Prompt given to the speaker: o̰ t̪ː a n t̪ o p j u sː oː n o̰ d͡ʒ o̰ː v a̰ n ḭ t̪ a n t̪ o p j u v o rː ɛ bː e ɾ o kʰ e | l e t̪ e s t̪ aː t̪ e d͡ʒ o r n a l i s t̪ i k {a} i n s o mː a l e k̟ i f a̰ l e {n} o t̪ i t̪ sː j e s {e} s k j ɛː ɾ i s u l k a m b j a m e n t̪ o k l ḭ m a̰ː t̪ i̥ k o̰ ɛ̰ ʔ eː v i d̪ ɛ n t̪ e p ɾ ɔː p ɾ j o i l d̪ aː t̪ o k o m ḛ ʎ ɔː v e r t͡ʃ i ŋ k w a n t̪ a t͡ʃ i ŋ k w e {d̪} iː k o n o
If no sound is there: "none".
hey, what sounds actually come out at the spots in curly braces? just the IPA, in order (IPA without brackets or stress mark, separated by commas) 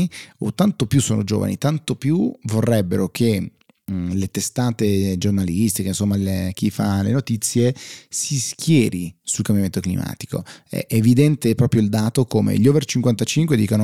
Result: e, n, i, d̪